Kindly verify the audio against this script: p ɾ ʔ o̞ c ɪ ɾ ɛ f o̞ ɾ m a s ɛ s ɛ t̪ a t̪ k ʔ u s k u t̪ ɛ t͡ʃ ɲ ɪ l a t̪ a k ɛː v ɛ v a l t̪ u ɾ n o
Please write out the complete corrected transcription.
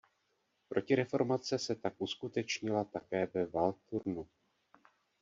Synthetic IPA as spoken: p ɾ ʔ o̞ c ɪ ɾ ɛ f o̞ ɾ m a t͡s ɛ s ɛ t̪ a k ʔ u s k u t̪ ɛ t͡ʃ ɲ ɪ l a t̪ a k ɛː v ɛ v a l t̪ u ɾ n u